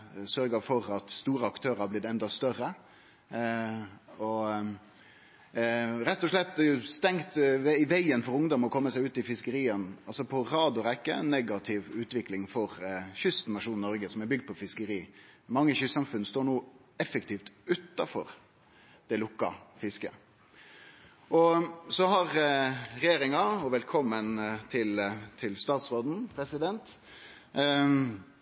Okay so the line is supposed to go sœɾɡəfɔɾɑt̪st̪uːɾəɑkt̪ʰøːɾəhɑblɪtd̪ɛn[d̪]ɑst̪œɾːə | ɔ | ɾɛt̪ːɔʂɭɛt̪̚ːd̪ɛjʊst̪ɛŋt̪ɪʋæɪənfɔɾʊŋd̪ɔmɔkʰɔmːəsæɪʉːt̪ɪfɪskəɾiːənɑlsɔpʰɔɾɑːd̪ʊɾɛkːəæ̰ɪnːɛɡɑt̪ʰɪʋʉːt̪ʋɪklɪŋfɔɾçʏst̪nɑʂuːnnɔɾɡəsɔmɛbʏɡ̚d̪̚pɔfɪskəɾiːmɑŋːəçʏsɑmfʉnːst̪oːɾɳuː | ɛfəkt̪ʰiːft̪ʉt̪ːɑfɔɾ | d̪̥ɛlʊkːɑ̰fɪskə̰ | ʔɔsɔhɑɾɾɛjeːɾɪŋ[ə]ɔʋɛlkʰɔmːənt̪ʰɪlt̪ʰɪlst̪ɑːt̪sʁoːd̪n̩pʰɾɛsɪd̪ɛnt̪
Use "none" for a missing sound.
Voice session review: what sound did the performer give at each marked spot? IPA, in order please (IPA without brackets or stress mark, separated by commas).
d̪, ɑ